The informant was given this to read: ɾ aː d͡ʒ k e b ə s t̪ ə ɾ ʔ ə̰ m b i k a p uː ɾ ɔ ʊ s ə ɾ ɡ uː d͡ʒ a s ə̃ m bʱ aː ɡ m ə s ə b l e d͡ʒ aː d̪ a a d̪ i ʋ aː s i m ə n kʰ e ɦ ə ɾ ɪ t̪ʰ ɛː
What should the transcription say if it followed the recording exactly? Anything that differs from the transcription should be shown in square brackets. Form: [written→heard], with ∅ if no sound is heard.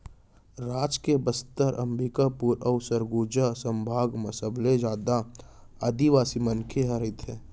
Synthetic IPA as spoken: ɾ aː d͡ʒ k e b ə s t̪ ə ɾ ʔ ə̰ m b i k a p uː ɾ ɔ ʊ s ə ɾ ɡ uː d͡ʒ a s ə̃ m bʱ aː ɡ m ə s ə b l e d͡ʒ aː d̪ a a d̪ i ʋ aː s i m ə n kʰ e ɦ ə ɾ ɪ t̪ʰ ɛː